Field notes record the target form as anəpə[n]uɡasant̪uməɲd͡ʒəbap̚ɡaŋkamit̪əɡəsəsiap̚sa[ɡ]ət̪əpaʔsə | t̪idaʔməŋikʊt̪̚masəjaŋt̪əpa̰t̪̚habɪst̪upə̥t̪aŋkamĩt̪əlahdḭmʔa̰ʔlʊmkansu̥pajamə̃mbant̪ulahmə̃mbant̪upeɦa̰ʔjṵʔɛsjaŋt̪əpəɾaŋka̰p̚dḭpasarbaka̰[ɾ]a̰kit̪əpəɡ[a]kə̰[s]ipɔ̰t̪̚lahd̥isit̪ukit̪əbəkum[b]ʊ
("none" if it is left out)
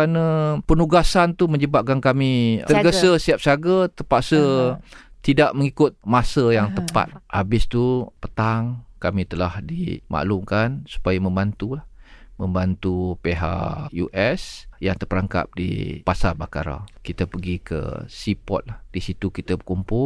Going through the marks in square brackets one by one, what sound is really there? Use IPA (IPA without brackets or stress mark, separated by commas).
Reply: n, ɡ, ɾ, i, s, p